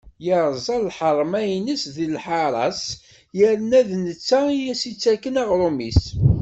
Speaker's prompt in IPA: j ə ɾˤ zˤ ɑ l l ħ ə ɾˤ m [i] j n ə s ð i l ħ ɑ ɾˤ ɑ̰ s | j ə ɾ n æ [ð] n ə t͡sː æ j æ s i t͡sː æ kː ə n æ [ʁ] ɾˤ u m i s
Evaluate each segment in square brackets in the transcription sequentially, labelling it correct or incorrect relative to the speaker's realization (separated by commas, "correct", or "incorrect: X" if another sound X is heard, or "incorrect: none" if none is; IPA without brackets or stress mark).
incorrect: æ, correct, correct